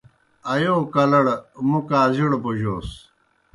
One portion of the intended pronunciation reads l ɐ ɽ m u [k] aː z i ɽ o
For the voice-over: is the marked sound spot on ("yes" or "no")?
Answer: yes